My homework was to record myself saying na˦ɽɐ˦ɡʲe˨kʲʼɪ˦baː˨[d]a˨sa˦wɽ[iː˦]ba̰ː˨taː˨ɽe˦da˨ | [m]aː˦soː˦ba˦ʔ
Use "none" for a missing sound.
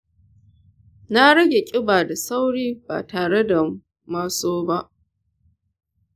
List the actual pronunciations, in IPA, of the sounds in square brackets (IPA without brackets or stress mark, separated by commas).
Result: d, iː˦, m